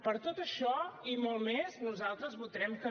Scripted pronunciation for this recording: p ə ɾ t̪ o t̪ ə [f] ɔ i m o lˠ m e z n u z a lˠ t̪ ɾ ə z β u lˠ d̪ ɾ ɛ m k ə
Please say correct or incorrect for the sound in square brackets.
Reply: incorrect